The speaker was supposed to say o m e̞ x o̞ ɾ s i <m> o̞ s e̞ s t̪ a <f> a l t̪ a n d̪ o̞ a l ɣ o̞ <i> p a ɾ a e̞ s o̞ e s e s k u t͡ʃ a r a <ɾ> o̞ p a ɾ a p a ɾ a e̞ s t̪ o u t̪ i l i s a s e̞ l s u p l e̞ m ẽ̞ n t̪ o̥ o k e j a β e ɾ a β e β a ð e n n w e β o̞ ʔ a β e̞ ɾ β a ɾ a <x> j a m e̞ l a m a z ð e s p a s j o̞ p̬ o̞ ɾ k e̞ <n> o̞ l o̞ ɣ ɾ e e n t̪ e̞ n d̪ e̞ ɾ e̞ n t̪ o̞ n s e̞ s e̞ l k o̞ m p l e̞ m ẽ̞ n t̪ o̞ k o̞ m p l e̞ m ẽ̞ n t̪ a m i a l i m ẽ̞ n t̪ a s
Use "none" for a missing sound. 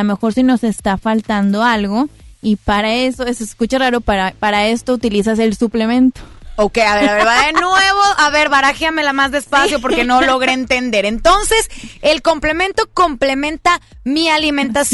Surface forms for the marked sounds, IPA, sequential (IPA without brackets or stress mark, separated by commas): n, f, i, ɾ, x, n